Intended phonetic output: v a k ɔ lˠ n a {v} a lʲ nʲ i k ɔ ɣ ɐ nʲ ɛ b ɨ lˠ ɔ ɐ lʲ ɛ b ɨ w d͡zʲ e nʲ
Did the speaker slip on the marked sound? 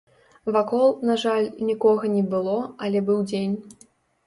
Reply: yes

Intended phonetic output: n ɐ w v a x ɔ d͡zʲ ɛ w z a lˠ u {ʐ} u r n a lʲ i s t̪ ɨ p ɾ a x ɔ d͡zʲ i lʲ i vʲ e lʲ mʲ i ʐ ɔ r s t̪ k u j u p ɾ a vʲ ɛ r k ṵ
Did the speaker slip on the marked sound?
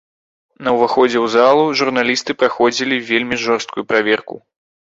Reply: no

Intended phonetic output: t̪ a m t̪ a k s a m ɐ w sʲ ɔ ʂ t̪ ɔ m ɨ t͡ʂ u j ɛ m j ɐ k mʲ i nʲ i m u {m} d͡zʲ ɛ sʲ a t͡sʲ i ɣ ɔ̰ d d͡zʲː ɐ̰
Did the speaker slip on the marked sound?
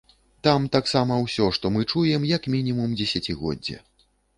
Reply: no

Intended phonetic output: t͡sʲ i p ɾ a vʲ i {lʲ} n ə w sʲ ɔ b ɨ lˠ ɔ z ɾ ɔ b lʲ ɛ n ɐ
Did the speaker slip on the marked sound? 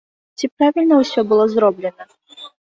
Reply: no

